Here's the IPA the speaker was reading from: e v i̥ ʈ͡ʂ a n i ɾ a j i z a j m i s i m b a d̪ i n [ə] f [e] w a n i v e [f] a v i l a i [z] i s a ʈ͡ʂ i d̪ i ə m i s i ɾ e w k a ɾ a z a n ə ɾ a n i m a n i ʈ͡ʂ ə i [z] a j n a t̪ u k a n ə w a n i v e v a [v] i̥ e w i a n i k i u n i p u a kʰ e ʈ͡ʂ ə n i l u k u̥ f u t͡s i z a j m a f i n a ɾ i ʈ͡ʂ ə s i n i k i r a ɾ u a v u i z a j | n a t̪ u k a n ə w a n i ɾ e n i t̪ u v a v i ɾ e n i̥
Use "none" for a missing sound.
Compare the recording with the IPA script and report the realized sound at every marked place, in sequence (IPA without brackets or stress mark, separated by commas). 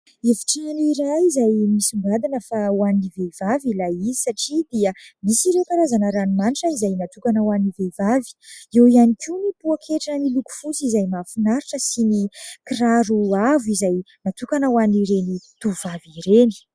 ə, a, v, z, z, v